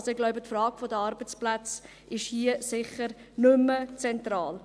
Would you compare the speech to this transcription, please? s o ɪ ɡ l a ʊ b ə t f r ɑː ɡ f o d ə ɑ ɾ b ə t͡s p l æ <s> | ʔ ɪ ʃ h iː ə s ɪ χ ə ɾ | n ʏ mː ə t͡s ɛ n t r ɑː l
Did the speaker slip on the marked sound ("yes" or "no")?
yes